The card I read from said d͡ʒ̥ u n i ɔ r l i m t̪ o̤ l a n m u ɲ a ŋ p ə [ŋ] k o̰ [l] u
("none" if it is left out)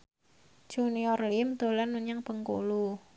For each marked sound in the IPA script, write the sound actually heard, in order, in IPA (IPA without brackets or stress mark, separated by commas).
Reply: ŋ, l